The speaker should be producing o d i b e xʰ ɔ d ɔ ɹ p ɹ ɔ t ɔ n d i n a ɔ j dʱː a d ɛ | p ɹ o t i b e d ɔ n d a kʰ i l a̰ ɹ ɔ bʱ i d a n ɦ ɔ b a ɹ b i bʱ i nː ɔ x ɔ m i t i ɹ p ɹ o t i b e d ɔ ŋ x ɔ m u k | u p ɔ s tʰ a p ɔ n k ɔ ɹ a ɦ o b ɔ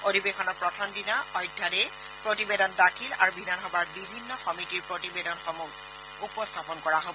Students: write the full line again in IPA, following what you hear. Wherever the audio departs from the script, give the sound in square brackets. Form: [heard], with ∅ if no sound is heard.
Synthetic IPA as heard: o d i b e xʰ ɔ [n] ɔ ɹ p ɹ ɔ [tʰ] ɔ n d i n a ɔ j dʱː a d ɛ | p ɹ o t i b e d ɔ n d a kʰ i l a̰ ɹ [u] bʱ i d a n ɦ ɔ b a ɹ b i bʱ i nː ɔ x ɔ m i t i ɹ p ɹ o t i b e d ɔ [n] x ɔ m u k | u p ɔ s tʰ a p ɔ n k ɔ ɹ a ɦ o b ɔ